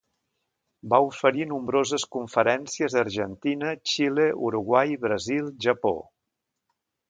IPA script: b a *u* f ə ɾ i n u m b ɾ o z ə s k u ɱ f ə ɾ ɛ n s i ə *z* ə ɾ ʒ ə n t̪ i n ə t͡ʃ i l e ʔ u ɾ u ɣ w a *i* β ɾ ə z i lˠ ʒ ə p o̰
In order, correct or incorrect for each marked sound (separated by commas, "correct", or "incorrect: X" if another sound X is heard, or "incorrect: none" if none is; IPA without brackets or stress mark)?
correct, correct, incorrect: j